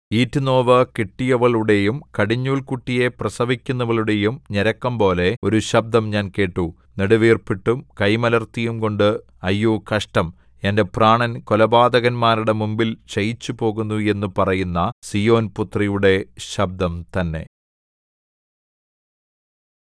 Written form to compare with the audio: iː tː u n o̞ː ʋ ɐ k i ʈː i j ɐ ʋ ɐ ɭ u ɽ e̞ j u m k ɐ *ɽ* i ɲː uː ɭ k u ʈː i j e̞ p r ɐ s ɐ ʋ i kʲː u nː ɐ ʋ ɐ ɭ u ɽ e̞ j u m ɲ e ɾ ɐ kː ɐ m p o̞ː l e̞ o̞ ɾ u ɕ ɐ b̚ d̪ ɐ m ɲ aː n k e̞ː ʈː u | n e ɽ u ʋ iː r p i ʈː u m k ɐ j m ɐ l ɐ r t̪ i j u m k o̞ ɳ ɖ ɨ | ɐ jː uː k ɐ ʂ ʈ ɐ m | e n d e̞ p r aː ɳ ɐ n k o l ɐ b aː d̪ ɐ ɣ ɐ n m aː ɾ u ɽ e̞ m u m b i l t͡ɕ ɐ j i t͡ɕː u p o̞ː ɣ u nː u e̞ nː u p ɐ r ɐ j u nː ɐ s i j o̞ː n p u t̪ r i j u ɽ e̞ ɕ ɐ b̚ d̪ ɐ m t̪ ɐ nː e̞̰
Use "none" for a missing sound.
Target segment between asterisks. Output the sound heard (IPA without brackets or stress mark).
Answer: ɽ